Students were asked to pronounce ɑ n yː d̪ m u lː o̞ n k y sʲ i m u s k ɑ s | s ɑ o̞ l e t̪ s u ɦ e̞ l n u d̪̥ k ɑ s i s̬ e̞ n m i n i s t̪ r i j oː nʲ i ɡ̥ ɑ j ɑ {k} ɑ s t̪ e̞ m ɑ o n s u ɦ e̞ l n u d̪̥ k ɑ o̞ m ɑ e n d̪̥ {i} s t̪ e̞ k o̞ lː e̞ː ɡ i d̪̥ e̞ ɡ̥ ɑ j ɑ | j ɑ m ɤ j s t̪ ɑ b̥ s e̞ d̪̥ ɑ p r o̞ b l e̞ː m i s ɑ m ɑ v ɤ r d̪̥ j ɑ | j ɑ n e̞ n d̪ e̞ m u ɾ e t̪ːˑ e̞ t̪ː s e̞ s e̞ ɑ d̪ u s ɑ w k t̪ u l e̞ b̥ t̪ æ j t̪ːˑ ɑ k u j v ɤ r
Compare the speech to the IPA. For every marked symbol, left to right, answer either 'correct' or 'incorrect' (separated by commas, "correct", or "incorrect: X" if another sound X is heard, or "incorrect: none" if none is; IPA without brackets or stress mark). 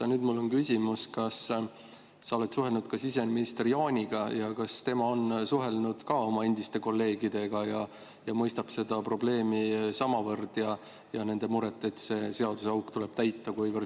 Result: correct, correct